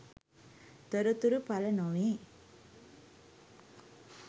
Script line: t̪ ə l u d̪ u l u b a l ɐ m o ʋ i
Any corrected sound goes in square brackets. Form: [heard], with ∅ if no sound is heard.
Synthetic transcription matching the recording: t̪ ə [ɾ] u [t̪] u [ɾ] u [p] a l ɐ [n] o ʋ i